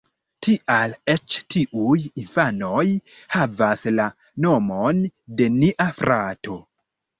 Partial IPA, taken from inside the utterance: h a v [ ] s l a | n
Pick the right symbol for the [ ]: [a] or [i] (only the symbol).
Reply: a